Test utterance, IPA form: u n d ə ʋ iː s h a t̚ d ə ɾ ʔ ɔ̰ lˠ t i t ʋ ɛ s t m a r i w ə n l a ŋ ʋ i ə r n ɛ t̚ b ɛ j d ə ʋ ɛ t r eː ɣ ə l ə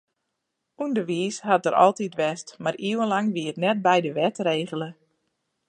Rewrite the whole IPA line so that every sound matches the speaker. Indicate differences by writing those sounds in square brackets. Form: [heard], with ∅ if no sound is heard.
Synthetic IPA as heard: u n d ə ʋ iː s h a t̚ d ə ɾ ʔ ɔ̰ lˠ t i t ʋ ɛ s t m a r i w ə n l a ŋ ʋ i ə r n ɛ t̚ b ɛ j d ə ʋ ɛ t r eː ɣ ə l ə